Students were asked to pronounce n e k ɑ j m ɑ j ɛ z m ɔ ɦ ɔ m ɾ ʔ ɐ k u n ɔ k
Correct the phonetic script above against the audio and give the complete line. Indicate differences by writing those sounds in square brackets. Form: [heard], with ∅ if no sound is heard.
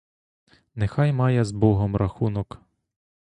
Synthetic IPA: n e [x] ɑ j m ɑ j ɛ z [b] ɔ ɦ ɔ m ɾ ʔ ɐ [x] u n ɔ k